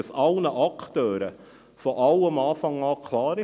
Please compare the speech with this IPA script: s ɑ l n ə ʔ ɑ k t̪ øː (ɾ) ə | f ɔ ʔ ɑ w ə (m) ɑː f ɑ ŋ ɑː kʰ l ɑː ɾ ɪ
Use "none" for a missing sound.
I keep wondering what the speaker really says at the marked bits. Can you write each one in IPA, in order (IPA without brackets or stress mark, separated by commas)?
ɾ, m